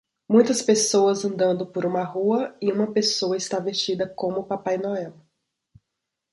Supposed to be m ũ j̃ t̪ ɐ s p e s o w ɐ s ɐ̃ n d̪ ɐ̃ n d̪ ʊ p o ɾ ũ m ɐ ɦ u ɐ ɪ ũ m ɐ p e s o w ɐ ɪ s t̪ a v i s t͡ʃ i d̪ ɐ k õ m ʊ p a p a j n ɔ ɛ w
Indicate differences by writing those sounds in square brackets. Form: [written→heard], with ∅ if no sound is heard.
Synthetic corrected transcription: m ũ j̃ t̪ ɐ s p e s o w ɐ [s→z] ɐ̃ n d̪ ɐ̃ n d̪ ʊ p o ɾ ũ m ɐ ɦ u ɐ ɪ ũ m ɐ p e s o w ɐ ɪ s t̪ a v [i→e] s t͡ʃ i d̪ ɐ k õ m ʊ p a p a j n ɔ ɛ w

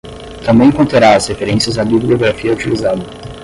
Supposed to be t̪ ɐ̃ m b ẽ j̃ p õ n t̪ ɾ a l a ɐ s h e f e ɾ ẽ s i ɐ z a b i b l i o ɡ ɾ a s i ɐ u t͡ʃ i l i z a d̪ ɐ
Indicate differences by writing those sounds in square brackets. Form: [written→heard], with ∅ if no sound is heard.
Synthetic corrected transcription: t̪ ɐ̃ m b ẽ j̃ [p→k] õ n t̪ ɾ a [l→ɾ] a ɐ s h e f e ɾ ẽ s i ɐ z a b i b l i o ɡ ɾ a [s→f] i ɐ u t͡ʃ i l i z a d̪ ɐ

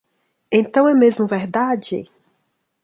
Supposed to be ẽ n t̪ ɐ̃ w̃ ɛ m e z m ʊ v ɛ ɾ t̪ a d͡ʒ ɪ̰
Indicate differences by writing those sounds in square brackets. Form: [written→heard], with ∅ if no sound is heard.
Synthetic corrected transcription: ẽ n t̪ ɐ̃ w̃ ɛ m e z m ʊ v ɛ ɾ [t̪→d̪] a d͡ʒ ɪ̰

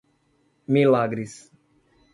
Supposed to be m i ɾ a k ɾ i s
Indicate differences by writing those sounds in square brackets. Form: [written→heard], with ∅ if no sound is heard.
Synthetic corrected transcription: m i [ɾ→l] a [k→ɡ] ɾ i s

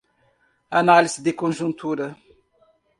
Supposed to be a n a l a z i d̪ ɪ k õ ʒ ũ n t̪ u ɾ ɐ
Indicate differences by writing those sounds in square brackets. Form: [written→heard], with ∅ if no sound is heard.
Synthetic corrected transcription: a n a l [a→i] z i d̪ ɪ k õ ʒ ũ n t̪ u ɾ ɐ

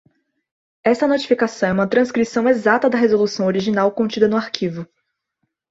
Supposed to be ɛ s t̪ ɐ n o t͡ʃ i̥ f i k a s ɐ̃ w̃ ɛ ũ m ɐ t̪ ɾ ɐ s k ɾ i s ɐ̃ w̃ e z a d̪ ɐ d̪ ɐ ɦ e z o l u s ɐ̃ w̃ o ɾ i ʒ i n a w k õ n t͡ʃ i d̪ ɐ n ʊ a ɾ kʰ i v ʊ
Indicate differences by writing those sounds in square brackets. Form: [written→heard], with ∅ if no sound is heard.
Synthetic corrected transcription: ɛ s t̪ ɐ n o t͡ʃ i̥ f i k a s ɐ̃ w̃ ɛ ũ m ɐ t̪ ɾ [ɐ→ɐ̃] s k ɾ i s ɐ̃ w̃ e z a [d̪→t̪] ɐ d̪ ɐ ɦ e z o l u s ɐ̃ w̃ o ɾ i ʒ i n a w k õ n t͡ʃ i d̪ ɐ n ʊ a ɾ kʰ i v ʊ

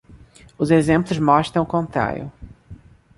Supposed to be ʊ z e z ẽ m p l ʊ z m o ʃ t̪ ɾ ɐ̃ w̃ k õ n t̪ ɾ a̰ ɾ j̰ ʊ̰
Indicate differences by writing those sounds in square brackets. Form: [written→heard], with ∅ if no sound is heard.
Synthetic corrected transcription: ʊ z e z ẽ m p l ʊ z m [o→ɔ] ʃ t̪ ɾ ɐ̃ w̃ k õ n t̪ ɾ a̰ ɾ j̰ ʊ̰

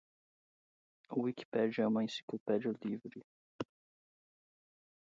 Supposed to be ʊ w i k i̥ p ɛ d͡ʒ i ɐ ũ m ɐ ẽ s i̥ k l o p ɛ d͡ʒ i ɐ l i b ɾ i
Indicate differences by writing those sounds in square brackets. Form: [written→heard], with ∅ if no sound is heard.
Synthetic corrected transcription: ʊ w i k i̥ p ɛ d͡ʒ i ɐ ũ m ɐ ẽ s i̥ k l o p ɛ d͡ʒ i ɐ l i [b→v] ɾ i

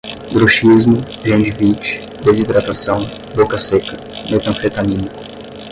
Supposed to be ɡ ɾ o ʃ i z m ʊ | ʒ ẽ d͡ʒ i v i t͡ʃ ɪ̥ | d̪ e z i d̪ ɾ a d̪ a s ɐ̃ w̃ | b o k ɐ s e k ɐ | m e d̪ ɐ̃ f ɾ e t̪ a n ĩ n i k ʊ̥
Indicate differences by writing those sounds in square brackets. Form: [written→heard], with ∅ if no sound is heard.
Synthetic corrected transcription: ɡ ɾ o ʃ i z m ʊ | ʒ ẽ d͡ʒ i v i t͡ʃ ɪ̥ | d̪ e z i d̪ ɾ a [d̪→t̪] a s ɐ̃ w̃ | b o k ɐ s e k ɐ | m e [d̪→t̪] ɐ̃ f ɾ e t̪ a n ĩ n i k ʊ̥

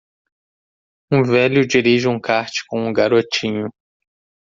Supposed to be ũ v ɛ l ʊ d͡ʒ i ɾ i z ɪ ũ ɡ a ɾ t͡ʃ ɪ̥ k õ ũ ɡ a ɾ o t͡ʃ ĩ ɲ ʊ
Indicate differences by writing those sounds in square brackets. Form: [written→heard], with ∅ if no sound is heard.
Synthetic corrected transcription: ũ v ɛ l ʊ d͡ʒ i ɾ i [z→ʒ] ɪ ũ [ɡ→k] a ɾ t͡ʃ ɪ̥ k õ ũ ɡ a ɾ o t͡ʃ ĩ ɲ ʊ

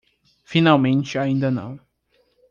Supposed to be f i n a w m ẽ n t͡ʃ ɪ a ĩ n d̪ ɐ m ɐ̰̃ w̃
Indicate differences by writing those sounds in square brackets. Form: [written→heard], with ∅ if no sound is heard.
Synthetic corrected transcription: f i n a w m ẽ n t͡ʃ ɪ a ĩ n d̪ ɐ [m→n] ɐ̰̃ w̃

